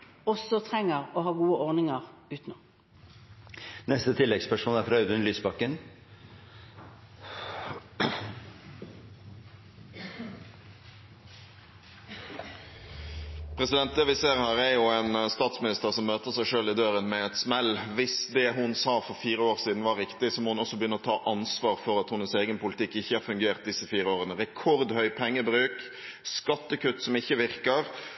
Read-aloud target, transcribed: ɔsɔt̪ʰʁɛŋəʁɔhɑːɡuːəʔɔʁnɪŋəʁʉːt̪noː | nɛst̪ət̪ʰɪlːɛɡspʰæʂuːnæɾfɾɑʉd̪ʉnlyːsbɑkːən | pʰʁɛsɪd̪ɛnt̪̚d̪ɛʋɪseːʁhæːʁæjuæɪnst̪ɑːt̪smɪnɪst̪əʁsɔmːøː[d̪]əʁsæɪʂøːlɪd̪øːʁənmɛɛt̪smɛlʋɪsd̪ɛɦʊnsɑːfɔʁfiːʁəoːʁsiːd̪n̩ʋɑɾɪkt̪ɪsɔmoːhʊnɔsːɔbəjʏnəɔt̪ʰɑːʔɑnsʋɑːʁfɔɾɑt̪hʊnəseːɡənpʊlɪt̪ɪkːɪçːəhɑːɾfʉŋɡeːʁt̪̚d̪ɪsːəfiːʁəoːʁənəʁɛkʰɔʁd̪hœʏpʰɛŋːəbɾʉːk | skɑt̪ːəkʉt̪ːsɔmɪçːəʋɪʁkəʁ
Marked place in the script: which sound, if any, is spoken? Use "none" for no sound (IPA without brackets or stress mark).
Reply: t̪